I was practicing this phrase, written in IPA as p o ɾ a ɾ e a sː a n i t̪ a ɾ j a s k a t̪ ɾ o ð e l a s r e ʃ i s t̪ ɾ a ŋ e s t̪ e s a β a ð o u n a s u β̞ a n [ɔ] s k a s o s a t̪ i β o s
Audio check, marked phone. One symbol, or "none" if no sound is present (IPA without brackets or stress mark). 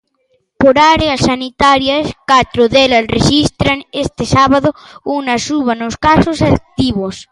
o